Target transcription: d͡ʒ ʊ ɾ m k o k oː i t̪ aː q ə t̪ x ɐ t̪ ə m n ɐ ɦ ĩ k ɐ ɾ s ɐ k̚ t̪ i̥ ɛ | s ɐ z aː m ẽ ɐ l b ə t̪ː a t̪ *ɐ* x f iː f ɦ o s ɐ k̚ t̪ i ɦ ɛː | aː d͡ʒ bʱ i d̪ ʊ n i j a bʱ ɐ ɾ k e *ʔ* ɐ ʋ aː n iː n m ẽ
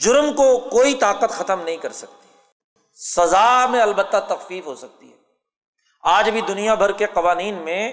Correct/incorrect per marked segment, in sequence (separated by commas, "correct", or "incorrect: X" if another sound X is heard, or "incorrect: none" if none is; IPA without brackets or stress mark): correct, incorrect: q